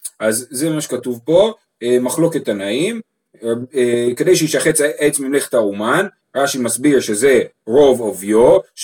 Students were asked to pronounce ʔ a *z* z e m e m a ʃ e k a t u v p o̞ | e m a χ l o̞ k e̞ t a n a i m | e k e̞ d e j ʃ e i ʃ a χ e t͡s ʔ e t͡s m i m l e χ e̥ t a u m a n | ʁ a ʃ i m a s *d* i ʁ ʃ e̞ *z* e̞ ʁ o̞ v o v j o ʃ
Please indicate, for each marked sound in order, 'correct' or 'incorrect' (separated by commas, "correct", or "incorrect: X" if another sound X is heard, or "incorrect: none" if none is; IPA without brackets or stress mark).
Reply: correct, incorrect: b, correct